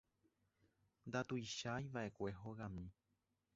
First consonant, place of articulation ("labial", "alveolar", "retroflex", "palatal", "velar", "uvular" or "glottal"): alveolar